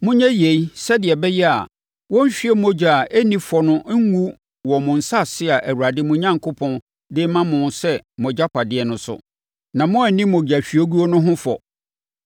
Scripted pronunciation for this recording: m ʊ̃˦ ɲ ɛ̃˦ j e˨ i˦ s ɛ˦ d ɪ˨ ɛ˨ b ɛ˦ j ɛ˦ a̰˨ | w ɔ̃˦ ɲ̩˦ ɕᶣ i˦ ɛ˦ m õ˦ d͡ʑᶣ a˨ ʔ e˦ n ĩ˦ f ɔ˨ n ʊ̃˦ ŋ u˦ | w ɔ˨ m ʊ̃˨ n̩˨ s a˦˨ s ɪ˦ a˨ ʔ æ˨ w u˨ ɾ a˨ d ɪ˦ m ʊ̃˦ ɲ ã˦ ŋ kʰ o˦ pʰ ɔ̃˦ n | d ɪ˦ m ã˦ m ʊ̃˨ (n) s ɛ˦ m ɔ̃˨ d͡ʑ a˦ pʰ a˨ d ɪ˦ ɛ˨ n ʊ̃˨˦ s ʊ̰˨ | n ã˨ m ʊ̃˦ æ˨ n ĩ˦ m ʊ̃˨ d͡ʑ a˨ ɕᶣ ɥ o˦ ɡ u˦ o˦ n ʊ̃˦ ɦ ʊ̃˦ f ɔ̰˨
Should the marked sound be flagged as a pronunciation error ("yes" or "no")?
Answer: no